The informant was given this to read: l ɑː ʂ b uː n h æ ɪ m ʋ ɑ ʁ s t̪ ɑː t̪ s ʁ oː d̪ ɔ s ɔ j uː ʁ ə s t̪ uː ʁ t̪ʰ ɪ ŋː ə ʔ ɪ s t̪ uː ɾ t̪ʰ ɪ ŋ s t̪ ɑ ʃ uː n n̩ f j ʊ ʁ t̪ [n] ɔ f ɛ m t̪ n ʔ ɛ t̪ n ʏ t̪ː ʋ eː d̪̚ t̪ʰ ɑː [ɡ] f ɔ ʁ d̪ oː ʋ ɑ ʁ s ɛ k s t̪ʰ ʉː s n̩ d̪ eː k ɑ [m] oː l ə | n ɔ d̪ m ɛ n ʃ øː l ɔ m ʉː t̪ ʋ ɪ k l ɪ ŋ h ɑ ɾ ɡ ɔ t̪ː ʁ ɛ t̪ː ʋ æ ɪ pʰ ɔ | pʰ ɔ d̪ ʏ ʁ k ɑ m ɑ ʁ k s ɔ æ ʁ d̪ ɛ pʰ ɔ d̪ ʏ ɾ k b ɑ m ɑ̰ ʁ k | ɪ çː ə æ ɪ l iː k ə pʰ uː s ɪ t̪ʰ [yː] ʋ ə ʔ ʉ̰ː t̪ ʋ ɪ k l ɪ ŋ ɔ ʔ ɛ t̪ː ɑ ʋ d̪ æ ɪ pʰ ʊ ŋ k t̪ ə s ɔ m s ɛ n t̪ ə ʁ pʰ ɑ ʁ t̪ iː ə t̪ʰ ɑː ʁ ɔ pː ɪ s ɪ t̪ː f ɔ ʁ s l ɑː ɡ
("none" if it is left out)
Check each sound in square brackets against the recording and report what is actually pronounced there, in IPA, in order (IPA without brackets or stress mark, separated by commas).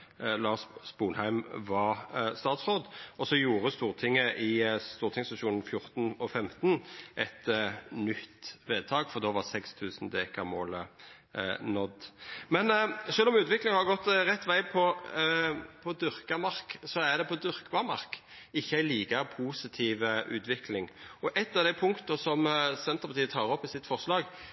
n, ɡ, m, iː